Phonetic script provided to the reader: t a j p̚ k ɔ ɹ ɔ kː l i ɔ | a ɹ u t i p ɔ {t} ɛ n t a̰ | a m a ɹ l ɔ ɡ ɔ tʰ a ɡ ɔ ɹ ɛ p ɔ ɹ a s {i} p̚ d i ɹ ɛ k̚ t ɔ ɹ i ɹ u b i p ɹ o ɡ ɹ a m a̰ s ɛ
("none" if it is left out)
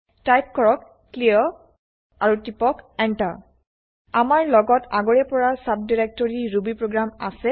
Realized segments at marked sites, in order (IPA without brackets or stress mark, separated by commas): k, a